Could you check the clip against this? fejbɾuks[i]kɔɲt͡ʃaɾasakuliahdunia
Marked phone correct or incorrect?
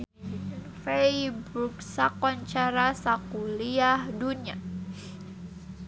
incorrect